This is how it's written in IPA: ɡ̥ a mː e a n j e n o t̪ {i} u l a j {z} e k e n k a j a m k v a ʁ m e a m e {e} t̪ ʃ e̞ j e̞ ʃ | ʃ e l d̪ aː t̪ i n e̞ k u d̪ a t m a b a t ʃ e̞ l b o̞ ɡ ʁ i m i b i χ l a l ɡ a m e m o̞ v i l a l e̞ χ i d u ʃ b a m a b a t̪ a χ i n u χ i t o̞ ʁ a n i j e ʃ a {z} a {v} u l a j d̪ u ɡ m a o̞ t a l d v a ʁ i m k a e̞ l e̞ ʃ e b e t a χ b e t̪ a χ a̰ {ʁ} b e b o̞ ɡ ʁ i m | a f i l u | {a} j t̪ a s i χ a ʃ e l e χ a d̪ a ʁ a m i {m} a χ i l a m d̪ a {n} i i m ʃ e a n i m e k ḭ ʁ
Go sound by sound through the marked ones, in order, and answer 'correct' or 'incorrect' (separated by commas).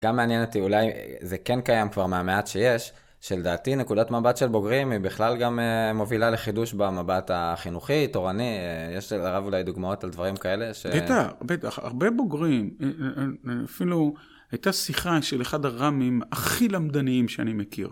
correct, correct, incorrect, incorrect, correct, correct, correct, correct, correct